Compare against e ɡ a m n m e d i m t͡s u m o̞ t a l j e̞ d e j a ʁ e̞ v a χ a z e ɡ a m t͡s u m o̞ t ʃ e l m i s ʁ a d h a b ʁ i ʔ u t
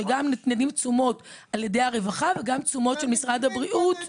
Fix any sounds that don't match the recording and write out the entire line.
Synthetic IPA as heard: e ɡ a m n n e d i m t͡s u m o̞ t a l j e̞ d e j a ʁ e̞ v a χ a v e ɡ a m t͡s u m o̞ t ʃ e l m i s ʁ a d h a b ʁ i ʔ u t